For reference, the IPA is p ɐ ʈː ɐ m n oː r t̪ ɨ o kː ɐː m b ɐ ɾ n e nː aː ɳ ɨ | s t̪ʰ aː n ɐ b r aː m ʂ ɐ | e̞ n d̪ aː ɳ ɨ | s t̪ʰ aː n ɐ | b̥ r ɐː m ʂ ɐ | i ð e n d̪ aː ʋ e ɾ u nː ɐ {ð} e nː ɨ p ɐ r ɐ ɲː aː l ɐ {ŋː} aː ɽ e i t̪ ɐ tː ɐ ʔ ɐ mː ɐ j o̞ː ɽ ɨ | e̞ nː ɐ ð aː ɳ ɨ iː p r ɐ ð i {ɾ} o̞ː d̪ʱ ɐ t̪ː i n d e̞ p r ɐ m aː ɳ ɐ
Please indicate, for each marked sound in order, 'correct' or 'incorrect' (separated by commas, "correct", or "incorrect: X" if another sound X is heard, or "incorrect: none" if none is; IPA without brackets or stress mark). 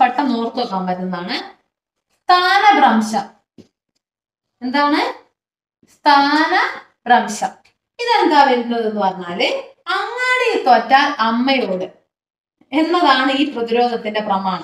correct, correct, correct